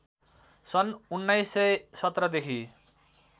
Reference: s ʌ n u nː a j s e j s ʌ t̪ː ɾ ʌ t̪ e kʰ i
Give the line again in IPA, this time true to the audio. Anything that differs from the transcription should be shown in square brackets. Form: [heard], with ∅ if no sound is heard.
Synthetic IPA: s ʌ n u nː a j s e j s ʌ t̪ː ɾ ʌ [d̪] e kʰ i